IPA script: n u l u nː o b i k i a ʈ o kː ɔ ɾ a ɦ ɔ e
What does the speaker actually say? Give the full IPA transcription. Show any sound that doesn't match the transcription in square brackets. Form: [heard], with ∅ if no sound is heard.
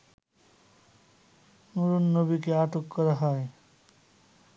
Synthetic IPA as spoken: n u [ɾ] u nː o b i k [e] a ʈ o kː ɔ ɾ a ɦ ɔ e